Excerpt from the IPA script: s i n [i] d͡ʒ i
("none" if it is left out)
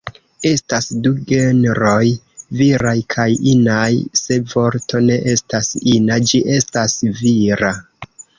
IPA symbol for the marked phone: a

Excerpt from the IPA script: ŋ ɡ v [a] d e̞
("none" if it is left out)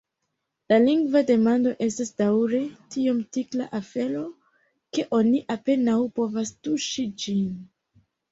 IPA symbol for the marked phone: a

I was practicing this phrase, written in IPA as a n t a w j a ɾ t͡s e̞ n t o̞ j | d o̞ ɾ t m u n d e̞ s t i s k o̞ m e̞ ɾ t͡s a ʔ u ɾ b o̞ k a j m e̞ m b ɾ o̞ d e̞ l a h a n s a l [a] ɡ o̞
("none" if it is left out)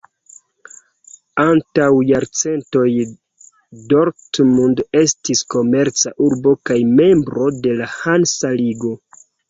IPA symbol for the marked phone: i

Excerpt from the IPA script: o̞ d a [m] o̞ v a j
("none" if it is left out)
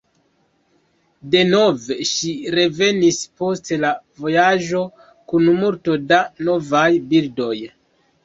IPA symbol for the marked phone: n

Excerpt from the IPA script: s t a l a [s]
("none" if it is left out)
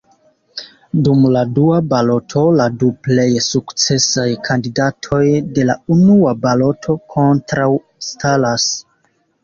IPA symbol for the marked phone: s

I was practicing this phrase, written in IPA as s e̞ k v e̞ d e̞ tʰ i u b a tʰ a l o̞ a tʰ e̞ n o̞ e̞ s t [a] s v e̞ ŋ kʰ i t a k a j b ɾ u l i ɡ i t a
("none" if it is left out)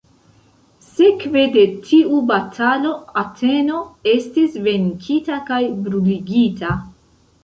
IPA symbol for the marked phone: i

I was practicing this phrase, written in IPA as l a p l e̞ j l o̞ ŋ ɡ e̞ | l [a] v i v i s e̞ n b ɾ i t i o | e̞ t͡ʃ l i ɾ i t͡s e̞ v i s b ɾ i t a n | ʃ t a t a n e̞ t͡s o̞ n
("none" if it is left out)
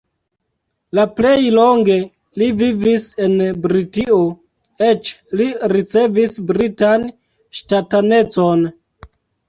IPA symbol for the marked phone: i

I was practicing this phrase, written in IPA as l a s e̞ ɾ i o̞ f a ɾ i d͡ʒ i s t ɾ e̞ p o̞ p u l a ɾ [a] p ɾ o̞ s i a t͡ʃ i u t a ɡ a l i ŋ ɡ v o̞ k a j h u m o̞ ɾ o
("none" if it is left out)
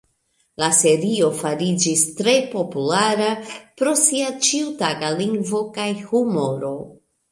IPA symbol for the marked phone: a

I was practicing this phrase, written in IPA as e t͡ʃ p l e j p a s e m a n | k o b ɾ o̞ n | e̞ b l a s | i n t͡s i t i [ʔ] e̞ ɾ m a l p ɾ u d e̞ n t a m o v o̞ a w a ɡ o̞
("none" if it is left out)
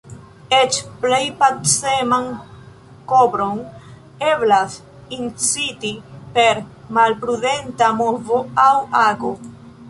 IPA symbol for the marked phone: p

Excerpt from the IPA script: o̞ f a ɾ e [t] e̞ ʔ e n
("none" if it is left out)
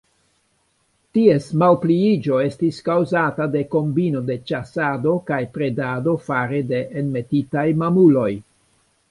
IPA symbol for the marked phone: d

